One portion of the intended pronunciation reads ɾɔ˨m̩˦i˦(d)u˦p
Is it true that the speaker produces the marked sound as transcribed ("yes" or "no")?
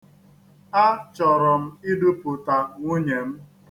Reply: yes